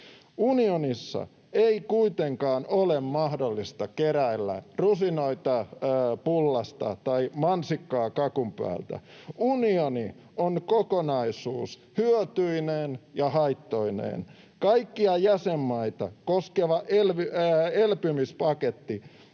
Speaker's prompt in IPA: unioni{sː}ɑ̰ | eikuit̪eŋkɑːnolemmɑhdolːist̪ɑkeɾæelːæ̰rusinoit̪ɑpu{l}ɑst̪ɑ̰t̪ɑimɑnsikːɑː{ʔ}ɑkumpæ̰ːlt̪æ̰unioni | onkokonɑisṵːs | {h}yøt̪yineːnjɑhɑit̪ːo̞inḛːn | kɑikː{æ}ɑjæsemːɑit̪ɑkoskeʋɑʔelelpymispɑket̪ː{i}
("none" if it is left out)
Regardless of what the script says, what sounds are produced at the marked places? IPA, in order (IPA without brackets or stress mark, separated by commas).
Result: sː, lː, k, h, i, i